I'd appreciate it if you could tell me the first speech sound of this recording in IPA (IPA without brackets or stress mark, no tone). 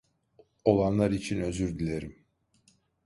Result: o̞